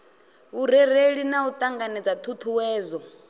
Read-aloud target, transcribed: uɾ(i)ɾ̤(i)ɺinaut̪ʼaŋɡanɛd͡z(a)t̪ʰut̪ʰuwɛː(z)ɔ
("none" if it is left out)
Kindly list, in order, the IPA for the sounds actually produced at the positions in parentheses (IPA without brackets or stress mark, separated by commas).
ɛ, e, a, z